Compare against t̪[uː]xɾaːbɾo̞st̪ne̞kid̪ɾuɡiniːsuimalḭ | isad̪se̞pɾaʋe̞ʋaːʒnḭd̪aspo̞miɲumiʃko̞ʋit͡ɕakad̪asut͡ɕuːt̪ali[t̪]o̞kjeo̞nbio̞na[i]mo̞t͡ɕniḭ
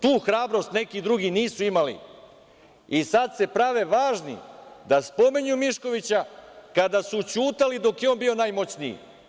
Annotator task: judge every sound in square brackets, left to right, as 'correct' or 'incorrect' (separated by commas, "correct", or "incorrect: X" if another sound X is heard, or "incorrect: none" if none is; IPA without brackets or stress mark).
correct, incorrect: d̪, incorrect: j